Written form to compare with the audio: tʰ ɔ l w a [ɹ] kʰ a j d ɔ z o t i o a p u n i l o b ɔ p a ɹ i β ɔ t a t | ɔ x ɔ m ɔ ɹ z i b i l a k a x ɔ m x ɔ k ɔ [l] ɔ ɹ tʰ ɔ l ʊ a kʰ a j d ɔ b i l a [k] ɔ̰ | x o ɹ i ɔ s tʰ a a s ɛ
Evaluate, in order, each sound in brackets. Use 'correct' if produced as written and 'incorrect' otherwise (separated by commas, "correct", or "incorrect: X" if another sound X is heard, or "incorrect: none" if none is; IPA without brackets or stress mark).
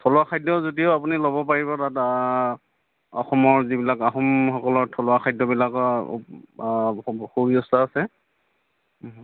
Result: incorrect: none, correct, correct